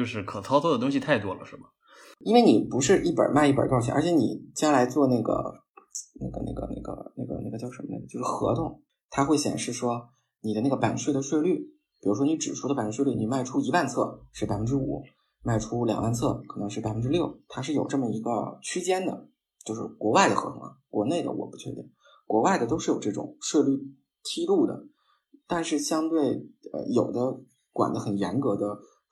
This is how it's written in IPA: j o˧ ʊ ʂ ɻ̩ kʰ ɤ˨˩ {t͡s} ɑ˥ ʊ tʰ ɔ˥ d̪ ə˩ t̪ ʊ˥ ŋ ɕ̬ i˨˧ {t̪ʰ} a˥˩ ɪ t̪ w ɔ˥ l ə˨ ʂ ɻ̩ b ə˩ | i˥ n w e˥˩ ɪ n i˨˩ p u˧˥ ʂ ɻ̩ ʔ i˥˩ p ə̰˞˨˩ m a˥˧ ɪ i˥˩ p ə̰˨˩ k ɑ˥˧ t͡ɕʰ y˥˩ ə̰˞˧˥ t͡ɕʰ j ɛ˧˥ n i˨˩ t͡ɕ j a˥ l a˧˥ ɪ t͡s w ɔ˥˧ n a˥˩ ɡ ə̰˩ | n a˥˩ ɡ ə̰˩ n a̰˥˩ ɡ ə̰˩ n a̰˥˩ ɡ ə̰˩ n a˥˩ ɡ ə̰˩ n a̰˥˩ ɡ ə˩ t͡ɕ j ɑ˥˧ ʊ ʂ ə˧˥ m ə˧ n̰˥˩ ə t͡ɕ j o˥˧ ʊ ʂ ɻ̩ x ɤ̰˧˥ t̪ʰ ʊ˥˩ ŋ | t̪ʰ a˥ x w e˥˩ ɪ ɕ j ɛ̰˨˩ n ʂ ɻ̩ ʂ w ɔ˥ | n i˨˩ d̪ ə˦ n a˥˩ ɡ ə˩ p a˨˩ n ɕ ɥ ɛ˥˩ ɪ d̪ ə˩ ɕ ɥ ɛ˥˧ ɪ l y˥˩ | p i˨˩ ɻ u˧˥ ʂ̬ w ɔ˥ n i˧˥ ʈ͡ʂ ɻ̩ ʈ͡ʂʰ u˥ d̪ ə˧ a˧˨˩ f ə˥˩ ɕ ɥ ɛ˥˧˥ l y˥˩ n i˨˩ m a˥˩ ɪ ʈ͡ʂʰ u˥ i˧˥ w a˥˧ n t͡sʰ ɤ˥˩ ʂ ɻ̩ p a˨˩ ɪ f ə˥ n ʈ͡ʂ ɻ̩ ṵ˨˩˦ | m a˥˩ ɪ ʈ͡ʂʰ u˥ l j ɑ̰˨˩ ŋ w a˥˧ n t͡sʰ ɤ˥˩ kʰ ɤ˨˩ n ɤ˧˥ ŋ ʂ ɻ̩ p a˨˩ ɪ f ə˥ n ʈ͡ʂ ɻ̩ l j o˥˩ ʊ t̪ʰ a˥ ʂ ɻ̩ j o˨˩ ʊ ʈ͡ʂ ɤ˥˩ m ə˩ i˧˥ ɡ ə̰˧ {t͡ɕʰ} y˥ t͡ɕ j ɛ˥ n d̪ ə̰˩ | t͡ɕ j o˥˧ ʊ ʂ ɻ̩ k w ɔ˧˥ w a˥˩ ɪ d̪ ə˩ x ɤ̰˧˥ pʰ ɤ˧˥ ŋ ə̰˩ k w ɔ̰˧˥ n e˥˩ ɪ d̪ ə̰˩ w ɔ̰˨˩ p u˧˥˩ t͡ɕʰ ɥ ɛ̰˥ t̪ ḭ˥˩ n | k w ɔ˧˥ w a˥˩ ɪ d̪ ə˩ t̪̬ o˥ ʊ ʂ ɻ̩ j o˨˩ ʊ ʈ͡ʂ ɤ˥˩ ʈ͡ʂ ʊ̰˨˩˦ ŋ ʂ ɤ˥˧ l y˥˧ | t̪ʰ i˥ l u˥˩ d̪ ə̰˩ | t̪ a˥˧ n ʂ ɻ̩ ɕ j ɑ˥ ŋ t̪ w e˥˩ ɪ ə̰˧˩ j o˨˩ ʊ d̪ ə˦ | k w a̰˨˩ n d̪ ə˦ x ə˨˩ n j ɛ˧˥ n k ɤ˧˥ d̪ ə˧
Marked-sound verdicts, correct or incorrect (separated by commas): incorrect, correct, correct